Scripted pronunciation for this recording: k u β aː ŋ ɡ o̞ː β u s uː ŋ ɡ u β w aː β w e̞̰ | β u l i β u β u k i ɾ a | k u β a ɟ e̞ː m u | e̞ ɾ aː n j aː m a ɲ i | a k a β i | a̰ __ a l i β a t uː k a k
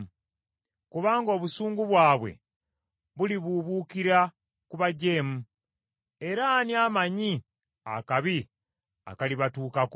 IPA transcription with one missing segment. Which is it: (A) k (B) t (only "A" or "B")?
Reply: A